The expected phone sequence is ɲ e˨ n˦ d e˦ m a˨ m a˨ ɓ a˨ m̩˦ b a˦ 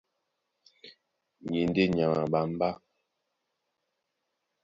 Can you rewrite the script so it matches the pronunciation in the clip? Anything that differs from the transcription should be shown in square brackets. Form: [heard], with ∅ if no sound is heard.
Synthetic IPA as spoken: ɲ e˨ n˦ d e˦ [ɲ] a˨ [ŋ] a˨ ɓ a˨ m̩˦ b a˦